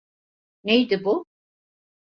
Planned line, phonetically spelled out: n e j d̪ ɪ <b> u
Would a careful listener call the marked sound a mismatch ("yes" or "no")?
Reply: no